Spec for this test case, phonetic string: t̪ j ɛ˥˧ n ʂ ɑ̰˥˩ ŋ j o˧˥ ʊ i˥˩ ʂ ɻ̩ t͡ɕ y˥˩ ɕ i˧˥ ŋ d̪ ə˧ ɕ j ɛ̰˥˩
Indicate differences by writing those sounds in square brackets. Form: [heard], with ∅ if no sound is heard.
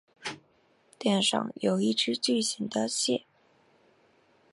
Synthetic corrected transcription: t̪ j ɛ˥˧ n ʂ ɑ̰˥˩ ŋ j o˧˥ ʊ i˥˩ [ʈ͡ʂ] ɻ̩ t͡ɕ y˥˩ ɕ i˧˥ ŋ d̪ ə˧ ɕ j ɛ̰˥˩